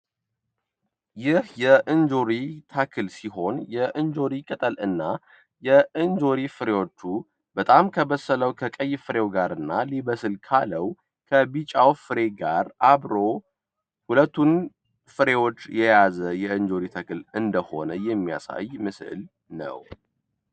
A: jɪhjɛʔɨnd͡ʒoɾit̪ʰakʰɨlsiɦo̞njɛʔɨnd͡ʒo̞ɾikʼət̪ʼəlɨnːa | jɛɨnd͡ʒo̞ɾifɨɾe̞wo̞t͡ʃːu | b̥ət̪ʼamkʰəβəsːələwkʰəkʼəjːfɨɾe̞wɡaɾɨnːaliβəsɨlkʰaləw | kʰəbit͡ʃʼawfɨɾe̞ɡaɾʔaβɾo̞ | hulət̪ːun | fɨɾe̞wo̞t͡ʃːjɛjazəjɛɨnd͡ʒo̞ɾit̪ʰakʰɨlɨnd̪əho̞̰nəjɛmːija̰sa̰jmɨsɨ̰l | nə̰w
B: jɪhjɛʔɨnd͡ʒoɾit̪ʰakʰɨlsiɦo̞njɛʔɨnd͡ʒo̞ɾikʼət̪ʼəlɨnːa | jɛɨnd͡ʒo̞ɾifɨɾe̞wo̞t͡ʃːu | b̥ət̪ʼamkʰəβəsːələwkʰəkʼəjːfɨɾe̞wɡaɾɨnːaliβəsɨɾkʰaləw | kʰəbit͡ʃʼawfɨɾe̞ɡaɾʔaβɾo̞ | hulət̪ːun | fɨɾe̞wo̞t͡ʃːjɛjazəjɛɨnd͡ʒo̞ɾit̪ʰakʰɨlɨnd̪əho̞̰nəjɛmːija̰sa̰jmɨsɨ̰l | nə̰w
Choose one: A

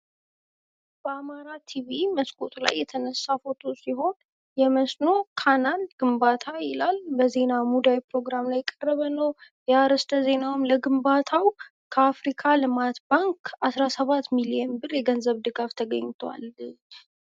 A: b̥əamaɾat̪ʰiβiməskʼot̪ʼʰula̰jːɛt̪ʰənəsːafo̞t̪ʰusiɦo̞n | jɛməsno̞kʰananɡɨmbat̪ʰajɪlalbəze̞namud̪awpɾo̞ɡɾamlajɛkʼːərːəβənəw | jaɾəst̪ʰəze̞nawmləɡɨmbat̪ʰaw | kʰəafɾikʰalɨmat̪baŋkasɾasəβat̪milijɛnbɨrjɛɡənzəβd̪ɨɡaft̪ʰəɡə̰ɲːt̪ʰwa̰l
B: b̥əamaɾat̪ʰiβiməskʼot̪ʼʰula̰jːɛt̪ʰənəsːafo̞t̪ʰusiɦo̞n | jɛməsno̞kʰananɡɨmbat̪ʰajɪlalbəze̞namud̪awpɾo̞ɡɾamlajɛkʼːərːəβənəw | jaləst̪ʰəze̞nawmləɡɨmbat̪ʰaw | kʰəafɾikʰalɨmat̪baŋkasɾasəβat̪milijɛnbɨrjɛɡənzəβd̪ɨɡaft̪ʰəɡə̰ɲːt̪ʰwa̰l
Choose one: A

